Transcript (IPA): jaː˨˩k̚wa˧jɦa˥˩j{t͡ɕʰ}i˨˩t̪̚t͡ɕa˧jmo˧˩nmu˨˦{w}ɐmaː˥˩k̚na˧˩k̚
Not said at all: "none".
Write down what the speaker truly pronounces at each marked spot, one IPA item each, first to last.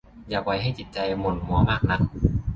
t͡ɕ, none

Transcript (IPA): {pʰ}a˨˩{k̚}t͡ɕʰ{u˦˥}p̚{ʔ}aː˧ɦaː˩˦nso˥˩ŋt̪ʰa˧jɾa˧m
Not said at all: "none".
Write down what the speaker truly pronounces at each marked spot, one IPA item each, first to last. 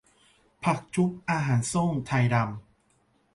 pʰ, k̚, u˦˥, ʔ

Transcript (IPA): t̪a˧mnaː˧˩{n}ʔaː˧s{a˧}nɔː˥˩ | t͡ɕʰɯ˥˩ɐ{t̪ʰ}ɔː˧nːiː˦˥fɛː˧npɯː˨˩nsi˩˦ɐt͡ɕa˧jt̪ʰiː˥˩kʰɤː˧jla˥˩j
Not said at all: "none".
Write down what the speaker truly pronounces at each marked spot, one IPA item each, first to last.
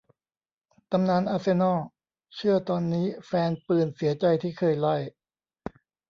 n, e˧, t̪

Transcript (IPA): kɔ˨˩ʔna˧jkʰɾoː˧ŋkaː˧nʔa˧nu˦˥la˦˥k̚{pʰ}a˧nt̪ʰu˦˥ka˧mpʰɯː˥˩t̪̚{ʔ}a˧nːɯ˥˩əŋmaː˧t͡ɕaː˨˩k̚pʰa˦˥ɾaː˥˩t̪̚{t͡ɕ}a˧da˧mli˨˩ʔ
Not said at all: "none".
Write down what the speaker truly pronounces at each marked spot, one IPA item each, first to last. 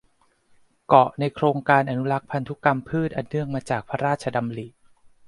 pʰ, ʔ, t͡ɕʰ

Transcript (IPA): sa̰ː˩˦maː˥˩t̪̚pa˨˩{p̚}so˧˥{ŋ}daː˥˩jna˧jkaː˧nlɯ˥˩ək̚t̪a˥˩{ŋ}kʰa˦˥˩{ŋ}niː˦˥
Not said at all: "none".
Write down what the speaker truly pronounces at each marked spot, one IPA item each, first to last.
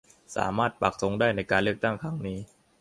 k̚, ŋ, ŋ, ŋ

